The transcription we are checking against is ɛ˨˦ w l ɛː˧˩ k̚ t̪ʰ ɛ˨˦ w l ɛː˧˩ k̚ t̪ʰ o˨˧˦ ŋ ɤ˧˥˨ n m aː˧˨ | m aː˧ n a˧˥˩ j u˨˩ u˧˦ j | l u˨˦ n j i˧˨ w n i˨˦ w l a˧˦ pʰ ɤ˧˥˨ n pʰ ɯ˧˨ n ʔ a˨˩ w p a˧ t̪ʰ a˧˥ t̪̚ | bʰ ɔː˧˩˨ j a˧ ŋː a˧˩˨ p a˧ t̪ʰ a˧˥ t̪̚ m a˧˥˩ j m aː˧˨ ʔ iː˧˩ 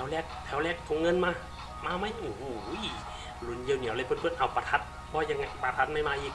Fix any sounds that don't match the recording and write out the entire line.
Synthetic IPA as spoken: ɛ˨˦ w l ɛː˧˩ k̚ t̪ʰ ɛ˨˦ w l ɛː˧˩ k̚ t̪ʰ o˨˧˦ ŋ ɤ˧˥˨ n m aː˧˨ | m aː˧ m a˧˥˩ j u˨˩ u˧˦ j | l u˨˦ n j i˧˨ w n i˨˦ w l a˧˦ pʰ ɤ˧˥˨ n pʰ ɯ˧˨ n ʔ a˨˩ w p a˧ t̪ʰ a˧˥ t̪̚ | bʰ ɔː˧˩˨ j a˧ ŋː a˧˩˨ p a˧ t̪ʰ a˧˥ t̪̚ m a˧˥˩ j m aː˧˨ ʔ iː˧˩